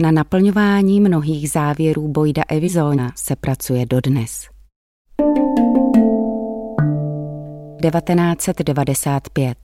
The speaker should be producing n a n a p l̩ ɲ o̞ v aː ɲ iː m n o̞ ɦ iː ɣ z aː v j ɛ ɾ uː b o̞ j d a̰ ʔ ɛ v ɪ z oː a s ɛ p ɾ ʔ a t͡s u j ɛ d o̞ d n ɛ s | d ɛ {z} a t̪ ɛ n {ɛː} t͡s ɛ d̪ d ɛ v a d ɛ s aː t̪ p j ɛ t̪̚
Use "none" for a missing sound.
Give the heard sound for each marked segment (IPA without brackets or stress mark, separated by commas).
v, aː